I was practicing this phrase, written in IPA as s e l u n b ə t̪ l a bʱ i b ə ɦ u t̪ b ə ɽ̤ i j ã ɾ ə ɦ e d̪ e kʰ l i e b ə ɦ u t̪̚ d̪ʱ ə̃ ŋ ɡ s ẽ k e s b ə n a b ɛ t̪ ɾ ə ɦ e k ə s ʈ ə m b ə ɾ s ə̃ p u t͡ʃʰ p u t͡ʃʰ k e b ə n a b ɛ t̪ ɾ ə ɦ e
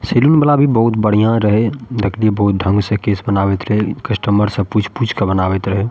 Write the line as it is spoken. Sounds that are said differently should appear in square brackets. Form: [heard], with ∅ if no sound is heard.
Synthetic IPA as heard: s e l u n b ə [∅] l a bʱ i b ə ɦ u t̪ b ə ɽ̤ i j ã ɾ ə ɦ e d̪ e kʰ l i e b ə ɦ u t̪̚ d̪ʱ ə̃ ŋ ɡ s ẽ k e s b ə n a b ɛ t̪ ɾ ə ɦ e k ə s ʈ ə m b ə ɾ s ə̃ p u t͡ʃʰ p u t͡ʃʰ k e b ə n a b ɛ t̪ ɾ ə ɦ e